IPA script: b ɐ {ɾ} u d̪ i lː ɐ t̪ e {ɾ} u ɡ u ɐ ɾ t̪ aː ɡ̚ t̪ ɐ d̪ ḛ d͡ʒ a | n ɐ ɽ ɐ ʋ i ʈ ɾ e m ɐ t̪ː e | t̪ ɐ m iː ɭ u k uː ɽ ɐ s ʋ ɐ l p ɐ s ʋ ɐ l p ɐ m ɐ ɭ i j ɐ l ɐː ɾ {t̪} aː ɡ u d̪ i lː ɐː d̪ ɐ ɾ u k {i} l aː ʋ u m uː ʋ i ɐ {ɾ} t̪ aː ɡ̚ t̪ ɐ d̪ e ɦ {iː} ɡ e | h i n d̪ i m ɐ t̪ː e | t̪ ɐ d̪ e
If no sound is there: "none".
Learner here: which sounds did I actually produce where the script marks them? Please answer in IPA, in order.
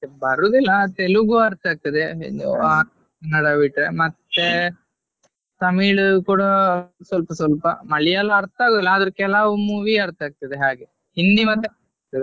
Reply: ɾ, l, t̪, ɛ, ɾ, aː

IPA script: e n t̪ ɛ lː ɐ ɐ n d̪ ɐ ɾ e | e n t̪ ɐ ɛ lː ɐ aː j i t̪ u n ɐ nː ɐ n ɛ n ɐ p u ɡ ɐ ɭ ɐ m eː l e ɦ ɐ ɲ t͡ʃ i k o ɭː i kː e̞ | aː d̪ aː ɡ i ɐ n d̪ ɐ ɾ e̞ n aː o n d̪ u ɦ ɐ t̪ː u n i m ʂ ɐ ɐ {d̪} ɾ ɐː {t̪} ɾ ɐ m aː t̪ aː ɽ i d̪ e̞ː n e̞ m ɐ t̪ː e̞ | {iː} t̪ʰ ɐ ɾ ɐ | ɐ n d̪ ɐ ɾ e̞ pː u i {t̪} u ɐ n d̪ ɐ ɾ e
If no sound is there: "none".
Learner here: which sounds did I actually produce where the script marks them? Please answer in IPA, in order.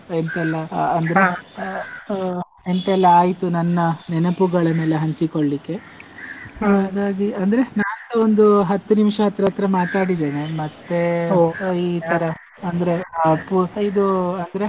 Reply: t̪, t̪, iː, d̪

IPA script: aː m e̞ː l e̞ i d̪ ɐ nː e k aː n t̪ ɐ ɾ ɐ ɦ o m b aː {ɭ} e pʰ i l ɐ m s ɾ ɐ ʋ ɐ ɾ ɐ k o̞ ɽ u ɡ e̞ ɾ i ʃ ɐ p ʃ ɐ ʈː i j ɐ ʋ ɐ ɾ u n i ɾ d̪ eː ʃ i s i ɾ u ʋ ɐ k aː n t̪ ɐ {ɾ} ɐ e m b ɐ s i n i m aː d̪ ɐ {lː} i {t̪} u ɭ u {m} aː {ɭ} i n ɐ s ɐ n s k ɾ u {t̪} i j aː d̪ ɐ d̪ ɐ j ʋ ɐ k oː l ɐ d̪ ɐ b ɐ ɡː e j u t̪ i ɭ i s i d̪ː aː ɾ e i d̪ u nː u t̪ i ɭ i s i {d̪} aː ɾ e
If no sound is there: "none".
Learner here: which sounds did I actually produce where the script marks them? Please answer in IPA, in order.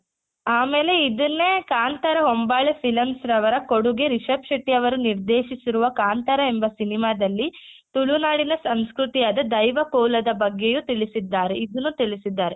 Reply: ɭ, ɾ, lː, t̪, n, ɽ, t̪, d̪ː

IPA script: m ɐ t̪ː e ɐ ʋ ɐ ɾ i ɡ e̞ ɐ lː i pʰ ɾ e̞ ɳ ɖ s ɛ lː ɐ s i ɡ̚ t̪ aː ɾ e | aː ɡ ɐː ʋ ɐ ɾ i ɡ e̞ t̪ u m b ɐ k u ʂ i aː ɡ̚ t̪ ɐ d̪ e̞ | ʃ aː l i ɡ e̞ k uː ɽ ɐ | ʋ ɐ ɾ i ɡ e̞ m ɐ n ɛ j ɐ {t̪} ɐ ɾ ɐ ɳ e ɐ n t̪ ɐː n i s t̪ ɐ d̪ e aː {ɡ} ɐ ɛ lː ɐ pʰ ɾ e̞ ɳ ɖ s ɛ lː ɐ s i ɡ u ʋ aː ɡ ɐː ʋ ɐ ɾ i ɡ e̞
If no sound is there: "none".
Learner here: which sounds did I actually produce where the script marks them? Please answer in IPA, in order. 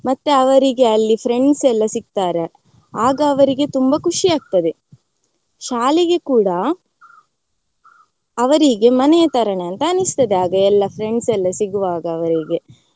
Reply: t̪, ɡ

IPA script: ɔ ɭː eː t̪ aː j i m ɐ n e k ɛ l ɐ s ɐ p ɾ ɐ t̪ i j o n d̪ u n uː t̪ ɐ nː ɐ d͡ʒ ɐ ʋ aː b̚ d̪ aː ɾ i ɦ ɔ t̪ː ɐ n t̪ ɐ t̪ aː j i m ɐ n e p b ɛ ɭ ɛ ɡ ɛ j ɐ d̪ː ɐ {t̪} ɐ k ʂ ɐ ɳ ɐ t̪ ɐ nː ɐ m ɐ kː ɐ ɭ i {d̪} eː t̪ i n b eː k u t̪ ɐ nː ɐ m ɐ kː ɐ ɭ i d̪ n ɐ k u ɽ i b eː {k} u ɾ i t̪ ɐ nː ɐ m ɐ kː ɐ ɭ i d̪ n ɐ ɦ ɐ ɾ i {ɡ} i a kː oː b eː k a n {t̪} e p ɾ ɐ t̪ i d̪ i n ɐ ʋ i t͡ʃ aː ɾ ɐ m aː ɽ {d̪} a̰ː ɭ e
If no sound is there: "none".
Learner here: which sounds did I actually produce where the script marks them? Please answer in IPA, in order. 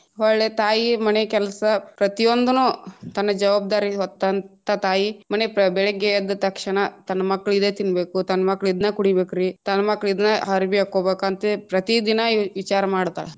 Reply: t̪, d̪, k, b, t̪, t̪

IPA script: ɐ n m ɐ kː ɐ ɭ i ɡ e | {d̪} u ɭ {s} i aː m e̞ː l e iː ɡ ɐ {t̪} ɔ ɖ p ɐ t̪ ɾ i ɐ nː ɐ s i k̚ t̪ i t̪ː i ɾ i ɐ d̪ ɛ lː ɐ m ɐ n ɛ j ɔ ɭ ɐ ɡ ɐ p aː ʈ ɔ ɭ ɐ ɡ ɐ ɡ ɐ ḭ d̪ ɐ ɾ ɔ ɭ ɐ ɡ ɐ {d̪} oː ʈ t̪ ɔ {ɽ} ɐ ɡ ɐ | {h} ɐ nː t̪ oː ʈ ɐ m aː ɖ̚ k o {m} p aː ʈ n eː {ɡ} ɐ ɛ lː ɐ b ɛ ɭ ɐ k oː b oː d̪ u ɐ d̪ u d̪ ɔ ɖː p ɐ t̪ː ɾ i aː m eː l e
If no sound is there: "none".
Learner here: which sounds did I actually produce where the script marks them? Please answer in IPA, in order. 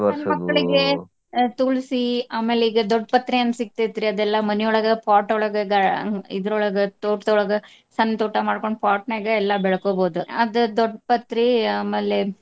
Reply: t̪, s, d̪, t̪, ɭ, s, ɳ, ɡ

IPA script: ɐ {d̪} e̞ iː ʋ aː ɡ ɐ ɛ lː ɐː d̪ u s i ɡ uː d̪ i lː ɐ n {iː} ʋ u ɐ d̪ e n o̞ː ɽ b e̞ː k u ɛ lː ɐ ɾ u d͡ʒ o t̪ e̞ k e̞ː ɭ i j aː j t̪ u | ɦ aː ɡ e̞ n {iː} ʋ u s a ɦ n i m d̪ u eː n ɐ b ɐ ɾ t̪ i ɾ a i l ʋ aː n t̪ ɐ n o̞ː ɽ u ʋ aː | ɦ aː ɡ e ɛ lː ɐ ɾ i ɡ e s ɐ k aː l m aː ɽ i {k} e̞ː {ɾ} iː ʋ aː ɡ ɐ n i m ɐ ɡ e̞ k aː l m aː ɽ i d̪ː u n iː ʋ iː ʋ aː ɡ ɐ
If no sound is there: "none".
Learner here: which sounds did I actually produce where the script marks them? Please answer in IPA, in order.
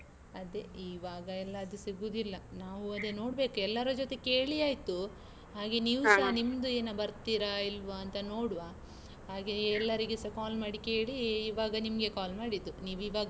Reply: d̪, aː, iː, k, ɭ

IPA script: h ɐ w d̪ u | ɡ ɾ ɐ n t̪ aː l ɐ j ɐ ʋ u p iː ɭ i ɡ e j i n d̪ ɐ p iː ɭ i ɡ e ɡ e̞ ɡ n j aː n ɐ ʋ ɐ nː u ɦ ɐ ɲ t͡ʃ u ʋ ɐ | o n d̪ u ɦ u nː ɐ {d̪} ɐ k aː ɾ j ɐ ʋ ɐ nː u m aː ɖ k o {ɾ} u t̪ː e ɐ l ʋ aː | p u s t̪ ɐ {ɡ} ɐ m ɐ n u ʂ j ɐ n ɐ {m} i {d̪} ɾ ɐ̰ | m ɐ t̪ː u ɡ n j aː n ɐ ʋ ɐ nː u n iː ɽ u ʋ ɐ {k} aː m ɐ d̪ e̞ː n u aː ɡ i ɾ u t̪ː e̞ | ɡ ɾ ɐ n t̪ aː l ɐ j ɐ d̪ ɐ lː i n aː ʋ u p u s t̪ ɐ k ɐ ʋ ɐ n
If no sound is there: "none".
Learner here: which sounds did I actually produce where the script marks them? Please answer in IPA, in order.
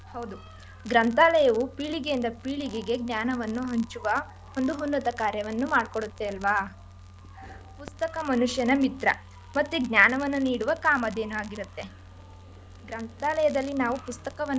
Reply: t̪, ɽ, k, m, t̪, k

